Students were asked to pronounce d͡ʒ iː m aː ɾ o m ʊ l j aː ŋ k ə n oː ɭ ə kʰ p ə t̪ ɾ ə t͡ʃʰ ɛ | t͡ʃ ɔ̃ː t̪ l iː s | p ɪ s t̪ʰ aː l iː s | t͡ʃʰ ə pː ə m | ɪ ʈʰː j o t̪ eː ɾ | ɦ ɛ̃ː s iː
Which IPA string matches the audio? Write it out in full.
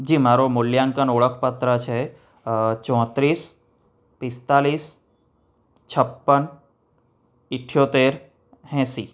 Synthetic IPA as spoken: d͡ʒ iː m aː ɾ o m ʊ l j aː ŋ k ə n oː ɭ ə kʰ p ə t̪ ɾ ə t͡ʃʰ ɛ | t͡ʃ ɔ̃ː t̪ ɾ iː s | p ɪ s t̪ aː l iː s | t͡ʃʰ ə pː ə n | ɪ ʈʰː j o t̪ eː ɾ | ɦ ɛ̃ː s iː